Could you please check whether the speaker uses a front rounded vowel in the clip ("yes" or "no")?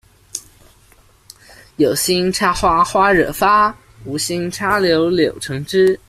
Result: no